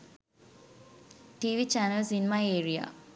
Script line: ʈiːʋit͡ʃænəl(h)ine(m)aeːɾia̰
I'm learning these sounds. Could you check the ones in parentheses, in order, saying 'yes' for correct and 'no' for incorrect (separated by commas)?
no, yes